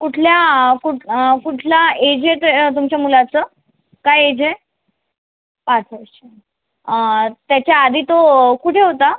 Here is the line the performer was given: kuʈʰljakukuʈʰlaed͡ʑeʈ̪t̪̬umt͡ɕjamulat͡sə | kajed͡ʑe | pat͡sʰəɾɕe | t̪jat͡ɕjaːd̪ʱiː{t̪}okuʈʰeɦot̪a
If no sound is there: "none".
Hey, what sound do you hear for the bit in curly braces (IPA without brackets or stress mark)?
t̪